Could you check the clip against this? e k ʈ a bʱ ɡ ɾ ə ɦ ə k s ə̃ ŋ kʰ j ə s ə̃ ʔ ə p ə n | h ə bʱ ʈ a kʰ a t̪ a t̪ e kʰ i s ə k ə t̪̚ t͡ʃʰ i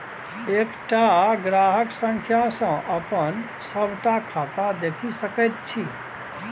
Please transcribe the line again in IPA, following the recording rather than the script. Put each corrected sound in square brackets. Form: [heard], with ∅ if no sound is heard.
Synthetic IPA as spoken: e k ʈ a [∅] ɡ ɾ [a] ɦ ə k s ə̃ ŋ kʰ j [a] s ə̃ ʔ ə p ə n | [s] ə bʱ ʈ a kʰ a t̪ a [d̪] e kʰ i s ə k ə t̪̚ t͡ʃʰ i